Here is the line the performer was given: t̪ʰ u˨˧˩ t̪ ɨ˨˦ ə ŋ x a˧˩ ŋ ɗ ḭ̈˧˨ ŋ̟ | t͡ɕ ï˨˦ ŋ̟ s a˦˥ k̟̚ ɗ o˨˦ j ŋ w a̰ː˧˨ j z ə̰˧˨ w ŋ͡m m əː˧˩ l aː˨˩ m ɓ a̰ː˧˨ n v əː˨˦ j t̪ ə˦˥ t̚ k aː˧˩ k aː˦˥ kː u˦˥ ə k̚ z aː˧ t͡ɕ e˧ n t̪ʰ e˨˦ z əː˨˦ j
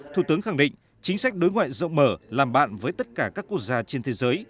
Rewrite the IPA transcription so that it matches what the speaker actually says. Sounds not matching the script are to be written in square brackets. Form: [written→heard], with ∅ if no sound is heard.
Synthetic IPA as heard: t̪ʰ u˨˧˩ t̪ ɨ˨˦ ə ŋ x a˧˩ ŋ ɗ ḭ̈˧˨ ŋ̟ | t͡ɕ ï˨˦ ŋ̟ s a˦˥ k̟̚ ɗ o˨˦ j ŋ w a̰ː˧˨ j z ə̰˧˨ w ŋ͡m m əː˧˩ l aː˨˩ m ɓ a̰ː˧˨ n v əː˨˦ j t̪ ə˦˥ t̚ k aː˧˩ k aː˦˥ kː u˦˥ ə k̚ z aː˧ t͡ɕ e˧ n t̪ʰ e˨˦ z əː˨˦ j